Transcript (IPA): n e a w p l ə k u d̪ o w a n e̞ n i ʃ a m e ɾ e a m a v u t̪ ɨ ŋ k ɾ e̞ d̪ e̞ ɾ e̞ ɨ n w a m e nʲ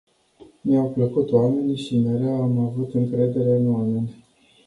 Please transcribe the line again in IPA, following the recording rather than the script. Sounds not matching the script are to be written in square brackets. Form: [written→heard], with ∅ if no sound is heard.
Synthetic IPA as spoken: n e a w p l ə k u [d̪→t̪] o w a [n→m] e̞ n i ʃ [a→i] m e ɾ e a m a v u t̪ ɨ ŋ k ɾ e̞ d̪ e̞ ɾ e̞ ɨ n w a m e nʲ